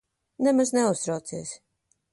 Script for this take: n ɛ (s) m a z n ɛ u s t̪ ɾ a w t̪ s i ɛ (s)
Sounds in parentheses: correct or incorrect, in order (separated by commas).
incorrect, correct